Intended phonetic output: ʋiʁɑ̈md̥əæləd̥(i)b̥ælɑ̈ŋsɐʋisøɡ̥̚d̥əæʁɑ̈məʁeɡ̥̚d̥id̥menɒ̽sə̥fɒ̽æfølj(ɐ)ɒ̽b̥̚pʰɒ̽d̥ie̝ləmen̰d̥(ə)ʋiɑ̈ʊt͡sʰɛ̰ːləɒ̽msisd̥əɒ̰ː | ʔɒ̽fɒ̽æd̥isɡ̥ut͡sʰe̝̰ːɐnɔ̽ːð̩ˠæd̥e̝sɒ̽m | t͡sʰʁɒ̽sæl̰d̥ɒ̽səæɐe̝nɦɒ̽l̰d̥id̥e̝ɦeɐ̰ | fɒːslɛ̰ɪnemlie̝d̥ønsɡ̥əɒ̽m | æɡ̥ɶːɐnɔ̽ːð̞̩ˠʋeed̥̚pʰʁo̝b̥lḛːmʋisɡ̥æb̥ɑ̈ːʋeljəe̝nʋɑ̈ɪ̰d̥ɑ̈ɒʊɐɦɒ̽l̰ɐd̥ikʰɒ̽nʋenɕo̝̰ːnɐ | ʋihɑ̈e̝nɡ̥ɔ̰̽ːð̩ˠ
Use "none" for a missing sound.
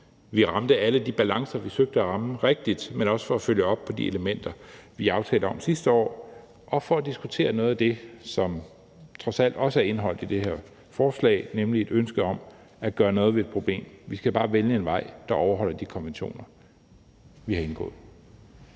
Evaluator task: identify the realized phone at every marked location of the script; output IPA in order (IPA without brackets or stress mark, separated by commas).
i, ə, ɐ